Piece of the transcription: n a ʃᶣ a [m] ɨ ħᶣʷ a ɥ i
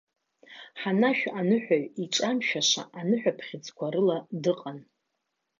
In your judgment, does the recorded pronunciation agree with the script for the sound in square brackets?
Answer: no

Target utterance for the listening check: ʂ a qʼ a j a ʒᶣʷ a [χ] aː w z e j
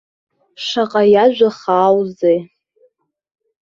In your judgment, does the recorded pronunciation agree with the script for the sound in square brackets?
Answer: yes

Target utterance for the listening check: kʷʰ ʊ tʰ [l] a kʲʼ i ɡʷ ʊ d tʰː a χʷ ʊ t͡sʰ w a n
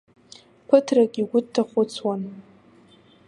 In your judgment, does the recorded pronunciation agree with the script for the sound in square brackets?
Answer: no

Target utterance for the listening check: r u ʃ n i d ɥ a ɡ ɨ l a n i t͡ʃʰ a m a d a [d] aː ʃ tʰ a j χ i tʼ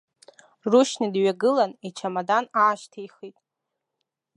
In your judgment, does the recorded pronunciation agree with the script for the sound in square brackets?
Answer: no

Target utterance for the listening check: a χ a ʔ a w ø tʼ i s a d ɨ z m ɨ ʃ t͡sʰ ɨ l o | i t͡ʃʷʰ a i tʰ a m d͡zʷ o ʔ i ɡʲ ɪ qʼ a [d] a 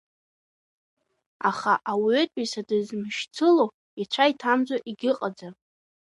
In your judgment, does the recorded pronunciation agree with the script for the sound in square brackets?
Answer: no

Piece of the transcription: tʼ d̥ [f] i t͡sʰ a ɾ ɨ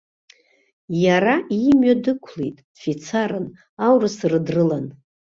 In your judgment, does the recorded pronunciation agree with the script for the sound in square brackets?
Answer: yes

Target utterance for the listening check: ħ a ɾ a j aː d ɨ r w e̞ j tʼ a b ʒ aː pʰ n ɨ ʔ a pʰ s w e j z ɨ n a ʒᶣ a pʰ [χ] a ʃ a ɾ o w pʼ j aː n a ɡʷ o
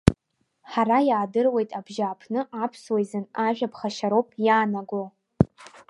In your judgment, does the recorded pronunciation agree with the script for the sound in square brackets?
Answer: yes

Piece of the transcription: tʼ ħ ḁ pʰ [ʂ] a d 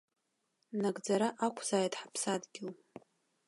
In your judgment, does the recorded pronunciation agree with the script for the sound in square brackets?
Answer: no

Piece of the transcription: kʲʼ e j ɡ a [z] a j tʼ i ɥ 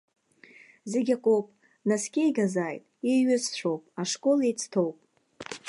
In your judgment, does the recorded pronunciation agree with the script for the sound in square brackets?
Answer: yes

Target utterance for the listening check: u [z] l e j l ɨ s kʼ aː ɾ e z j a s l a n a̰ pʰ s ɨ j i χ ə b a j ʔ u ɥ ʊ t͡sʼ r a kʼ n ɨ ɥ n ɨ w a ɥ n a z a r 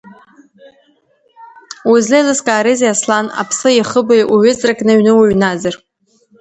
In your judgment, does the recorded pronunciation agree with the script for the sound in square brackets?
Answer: yes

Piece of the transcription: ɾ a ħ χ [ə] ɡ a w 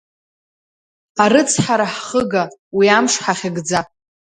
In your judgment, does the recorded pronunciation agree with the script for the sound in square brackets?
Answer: yes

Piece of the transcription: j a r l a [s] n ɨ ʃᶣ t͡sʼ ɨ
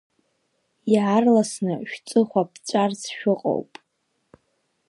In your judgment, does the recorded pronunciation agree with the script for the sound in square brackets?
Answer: yes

